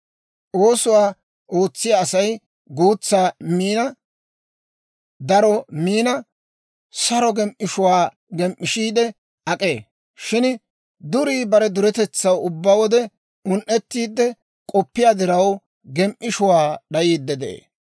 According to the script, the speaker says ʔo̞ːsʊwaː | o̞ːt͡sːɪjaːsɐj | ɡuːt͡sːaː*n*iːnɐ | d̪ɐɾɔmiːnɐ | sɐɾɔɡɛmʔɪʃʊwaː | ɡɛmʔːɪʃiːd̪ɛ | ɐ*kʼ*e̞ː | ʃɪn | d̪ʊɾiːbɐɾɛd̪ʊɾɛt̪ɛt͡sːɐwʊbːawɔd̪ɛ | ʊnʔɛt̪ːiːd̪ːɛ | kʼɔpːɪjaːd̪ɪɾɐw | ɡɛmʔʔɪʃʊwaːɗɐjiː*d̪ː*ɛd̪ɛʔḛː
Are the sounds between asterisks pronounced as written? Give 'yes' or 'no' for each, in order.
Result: no, yes, yes

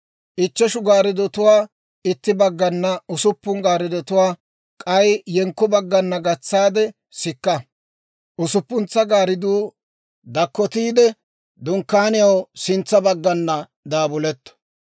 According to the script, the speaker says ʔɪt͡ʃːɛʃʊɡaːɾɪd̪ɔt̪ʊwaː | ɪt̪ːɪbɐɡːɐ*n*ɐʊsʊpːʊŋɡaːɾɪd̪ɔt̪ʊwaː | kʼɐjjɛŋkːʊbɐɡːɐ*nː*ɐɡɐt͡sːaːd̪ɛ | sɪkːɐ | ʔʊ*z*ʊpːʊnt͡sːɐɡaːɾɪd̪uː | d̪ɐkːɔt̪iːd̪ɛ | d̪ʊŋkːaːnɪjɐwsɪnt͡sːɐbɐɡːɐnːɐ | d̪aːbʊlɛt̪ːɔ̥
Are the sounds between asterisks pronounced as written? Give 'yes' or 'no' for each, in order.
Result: no, yes, no

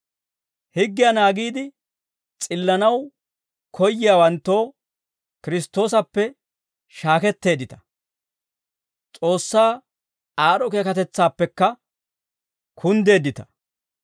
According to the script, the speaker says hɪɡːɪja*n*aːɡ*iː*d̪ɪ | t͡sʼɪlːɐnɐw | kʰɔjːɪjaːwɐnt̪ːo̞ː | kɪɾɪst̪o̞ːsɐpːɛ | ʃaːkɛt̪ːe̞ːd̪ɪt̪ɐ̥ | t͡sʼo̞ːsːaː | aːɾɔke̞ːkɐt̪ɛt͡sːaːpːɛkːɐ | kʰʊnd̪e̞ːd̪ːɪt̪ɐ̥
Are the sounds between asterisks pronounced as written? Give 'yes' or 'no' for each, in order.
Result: yes, yes

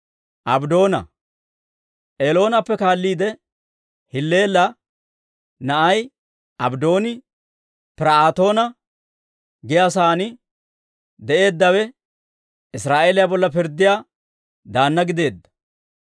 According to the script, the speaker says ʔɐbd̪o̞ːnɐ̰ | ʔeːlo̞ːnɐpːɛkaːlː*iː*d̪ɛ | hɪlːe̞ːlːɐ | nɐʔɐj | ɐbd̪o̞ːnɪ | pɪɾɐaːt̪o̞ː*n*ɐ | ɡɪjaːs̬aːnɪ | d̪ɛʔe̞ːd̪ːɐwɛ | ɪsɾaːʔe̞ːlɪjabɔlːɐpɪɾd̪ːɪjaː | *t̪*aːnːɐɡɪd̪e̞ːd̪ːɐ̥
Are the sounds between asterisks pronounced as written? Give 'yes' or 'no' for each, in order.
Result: yes, yes, no

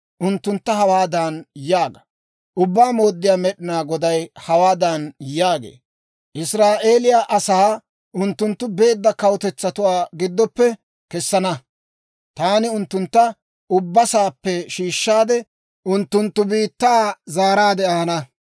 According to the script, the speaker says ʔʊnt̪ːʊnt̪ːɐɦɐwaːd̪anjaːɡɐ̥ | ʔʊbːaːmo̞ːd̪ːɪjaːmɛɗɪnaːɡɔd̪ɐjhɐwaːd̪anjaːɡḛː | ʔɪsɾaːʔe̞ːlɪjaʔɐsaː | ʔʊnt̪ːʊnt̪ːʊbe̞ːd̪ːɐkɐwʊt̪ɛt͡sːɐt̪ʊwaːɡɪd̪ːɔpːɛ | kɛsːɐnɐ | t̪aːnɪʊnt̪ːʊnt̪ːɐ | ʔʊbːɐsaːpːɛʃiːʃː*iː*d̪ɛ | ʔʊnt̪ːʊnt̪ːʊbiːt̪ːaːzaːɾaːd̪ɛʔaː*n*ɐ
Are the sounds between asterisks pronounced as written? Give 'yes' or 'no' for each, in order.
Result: no, yes

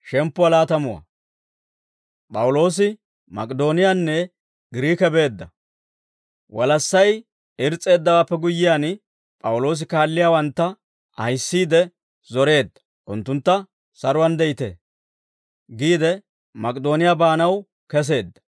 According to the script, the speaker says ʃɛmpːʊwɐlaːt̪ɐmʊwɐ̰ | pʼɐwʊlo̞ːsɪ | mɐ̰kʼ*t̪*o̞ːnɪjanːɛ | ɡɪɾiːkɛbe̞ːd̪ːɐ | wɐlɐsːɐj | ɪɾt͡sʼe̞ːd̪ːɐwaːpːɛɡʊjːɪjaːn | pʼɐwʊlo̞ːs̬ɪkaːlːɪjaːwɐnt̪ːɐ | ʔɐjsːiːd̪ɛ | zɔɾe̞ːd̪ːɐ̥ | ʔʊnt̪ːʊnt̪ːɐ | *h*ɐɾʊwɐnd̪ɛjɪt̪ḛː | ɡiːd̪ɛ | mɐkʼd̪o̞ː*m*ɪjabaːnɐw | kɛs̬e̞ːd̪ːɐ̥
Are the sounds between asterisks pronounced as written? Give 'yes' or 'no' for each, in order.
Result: no, no, no

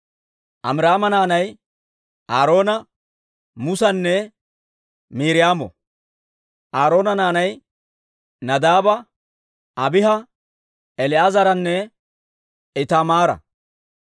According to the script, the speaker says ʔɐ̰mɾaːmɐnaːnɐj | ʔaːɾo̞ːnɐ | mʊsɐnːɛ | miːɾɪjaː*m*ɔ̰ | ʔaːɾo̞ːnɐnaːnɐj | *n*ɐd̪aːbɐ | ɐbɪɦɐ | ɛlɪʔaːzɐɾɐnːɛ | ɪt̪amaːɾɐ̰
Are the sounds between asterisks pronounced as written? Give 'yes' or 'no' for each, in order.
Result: yes, yes

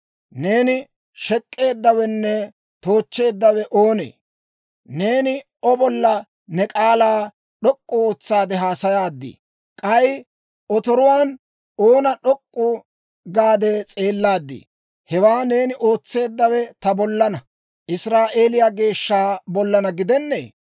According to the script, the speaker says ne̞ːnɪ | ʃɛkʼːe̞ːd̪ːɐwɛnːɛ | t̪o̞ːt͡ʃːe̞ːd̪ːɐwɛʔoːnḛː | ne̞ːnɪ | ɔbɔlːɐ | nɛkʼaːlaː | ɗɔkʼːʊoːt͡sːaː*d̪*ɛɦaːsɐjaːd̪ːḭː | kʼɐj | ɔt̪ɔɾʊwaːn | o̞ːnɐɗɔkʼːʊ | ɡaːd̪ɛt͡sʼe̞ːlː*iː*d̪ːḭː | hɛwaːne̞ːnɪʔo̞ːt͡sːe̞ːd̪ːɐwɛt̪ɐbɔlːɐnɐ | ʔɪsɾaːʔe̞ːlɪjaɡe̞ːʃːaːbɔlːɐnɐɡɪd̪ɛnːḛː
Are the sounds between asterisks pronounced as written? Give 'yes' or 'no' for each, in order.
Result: yes, no

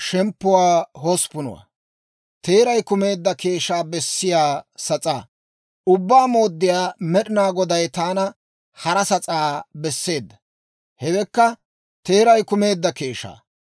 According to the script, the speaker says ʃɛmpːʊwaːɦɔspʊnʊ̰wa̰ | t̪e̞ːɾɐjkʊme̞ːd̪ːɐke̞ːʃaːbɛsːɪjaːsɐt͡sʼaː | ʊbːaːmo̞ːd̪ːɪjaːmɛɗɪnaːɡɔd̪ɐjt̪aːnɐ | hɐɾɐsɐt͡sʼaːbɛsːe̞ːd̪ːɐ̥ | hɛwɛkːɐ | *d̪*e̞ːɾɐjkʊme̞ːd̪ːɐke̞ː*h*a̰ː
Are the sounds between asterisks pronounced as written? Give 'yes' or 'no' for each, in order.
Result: no, no

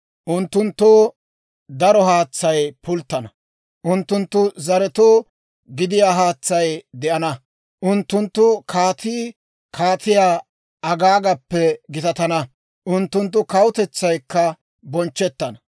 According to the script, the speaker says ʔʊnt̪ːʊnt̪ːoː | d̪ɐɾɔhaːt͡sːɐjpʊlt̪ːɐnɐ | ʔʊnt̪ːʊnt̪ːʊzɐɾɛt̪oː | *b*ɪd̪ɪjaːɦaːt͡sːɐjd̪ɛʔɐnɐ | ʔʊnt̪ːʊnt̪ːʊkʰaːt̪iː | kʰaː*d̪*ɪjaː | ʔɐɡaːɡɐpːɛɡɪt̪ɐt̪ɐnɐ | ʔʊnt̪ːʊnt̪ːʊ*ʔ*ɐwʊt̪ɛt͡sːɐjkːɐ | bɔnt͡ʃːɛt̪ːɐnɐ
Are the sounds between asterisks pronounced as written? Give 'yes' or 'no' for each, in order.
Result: no, no, no

